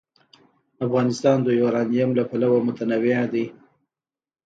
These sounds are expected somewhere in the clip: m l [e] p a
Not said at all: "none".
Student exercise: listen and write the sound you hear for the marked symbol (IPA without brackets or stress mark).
a